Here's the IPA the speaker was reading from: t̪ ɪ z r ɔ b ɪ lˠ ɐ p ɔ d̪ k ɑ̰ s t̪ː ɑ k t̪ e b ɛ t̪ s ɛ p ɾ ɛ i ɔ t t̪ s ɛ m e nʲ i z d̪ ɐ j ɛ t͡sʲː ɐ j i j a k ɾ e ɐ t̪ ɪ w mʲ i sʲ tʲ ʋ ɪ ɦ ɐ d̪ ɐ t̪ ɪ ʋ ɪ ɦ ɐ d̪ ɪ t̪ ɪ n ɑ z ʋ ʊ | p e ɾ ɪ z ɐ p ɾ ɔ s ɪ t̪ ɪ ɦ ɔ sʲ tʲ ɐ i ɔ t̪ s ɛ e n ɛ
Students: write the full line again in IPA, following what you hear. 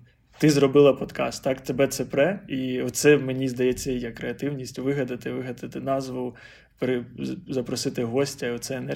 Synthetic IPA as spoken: t̪ ɪ z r ɔ b ɪ lˠ ɐ p ɔ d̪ k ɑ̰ s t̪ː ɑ k t̪ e b ɛ t̪ s ɛ p ɾ ɛ i ɔ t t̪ s ɛ m e nʲ i z d̪ ɐ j ɛ t͡sʲː ɐ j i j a k ɾ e ɐ t̪ ɪ w nʲ i sʲ tʲ ʋ ɪ ɦ ɐ d̪ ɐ t̪ ɪ ʋ ɪ ɦ ɐ d̪ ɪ t̪ ɪ n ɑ z ʋ ʊ | p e ɾ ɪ z ɐ p ɾ ɔ s ɪ t̪ ɪ ɦ ɔ sʲ tʲ ɐ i ɔ t̪ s ɛ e n ɛ